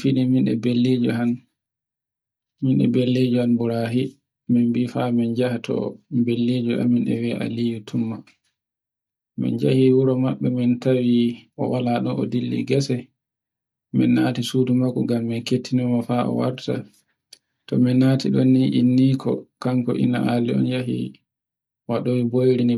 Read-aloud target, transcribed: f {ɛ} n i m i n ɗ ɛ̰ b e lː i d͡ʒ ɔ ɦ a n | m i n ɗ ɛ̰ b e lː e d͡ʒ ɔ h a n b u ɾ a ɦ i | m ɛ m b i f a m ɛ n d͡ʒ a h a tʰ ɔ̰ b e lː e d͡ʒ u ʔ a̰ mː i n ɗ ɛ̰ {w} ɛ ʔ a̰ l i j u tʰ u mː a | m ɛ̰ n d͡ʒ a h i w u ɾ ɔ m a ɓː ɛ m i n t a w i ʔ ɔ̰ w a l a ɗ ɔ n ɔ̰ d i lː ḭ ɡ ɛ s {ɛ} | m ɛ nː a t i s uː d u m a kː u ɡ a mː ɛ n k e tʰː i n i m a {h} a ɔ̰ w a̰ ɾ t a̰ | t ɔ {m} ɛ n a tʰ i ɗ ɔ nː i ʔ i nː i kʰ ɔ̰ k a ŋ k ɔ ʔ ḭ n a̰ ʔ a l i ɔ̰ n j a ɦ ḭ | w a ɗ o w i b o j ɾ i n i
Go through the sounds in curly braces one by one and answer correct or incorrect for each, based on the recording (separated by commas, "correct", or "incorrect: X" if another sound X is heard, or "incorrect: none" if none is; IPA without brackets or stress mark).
incorrect: i, correct, correct, incorrect: f, correct